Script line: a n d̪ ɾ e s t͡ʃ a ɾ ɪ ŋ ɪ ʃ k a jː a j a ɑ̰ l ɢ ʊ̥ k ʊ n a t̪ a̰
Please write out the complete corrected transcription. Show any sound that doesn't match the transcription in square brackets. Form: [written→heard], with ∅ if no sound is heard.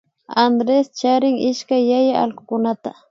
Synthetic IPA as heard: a n d̪ ɾ e s t͡ʃ a ɾ ɪ ŋ ɪ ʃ k a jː a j a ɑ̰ l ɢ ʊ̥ k ʊ n a t̪ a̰

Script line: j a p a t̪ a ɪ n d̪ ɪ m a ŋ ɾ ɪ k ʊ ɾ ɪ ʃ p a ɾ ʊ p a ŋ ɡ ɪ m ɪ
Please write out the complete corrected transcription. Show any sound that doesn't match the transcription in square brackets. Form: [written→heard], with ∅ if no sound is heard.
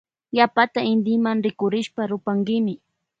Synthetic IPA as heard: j a p a t̪ a ɪ n d̪ ɪ m a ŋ ɾ ɪ k ʊ ɾ ɪ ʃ p a ɾ ʊ p a ŋ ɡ ɪ m ɪ

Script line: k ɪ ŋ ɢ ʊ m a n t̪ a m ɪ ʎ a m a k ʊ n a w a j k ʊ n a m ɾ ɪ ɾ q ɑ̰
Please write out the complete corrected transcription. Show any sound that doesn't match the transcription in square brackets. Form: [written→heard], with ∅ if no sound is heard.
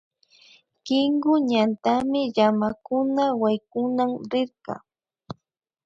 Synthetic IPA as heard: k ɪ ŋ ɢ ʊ [m→ɲ] a n t̪ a m ɪ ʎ a m a k ʊ n a w a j k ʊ n a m ɾ ɪ ɾ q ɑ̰

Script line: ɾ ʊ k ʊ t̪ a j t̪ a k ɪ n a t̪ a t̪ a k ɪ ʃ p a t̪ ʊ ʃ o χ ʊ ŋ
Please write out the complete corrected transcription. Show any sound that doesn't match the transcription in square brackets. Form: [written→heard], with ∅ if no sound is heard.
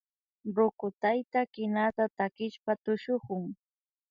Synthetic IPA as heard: ɾ ʊ k ʊ t̪ a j t̪ a k ɪ n a t̪ a t̪ a k ɪ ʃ p a t̪ ʊ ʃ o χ ʊ ŋ

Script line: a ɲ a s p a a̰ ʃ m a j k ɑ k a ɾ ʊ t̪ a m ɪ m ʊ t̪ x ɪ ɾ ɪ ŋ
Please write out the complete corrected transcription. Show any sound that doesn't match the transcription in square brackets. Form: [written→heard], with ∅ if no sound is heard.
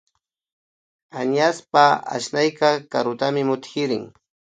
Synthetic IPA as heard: a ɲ a s p a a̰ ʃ [m→n] a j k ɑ k a ɾ ʊ t̪ a m ɪ m ʊ t̪ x ɪ ɾ ɪ ŋ

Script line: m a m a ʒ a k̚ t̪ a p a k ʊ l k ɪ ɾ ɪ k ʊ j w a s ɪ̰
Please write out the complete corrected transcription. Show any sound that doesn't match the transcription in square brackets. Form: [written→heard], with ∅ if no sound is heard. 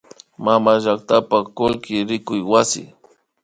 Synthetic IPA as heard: m a m a ʒ a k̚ t̪ a p a k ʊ l k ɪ ɾ ɪ k ʊ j w a s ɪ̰

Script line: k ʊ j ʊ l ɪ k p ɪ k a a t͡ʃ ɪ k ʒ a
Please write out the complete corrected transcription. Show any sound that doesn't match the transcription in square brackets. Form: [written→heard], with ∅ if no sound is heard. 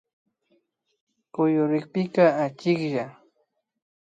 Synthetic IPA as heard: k ʊ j ʊ [l→ɾ] ɪ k p ɪ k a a t͡ʃ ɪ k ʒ a

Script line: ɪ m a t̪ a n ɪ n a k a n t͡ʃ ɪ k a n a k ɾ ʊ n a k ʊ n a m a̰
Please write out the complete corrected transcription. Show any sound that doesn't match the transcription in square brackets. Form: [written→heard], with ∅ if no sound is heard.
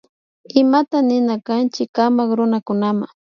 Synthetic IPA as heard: ɪ m a t̪ a n ɪ n a k a n t͡ʃ ɪ k a [n→m] a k ɾ ʊ n a k ʊ n a m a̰

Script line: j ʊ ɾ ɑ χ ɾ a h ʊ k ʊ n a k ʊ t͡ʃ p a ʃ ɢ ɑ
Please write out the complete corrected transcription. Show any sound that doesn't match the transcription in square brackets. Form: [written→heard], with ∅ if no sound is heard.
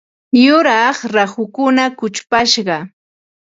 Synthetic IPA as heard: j ʊ ɾ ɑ χ ɾ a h ʊ k ʊ n a k ʊ t͡ʃ p a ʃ ɢ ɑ

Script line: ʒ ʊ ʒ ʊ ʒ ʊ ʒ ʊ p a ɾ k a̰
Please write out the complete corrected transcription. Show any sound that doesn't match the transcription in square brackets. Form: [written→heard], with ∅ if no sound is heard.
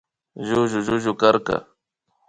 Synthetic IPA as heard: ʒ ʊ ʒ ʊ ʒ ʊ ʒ ʊ [p→k] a ɾ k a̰

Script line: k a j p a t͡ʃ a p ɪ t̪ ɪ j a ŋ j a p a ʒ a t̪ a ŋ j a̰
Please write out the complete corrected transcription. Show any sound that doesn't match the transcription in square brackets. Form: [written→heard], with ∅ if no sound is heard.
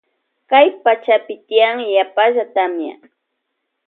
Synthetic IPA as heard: k a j p a t͡ʃ a p ɪ t̪ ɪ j a ŋ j a p a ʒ a t̪ a [ŋ→m] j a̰

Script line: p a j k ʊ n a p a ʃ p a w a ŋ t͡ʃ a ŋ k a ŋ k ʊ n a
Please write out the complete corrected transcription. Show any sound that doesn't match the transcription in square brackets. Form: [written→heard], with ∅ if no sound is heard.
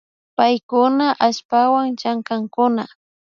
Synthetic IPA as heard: p a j k ʊ n a [p→ʔ] a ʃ p a w a ŋ t͡ʃ a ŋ k a ŋ k ʊ n a

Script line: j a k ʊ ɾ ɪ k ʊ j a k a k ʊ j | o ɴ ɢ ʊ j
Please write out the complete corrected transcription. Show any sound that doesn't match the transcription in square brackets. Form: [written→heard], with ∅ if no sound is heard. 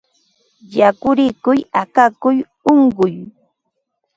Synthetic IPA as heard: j a k ʊ ɾ ɪ k ʊ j a k a k ʊ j | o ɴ ɢ ʊ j

